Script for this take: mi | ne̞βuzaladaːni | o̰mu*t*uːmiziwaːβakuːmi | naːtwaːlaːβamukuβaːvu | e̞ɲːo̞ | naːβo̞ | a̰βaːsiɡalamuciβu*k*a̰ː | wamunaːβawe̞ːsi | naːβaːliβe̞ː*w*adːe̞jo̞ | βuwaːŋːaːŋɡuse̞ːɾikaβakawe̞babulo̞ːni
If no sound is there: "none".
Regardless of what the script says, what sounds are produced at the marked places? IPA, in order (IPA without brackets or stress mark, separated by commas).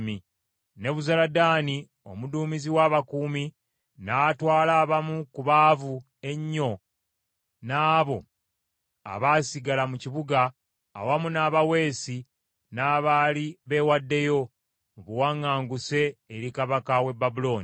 d, ɡ, w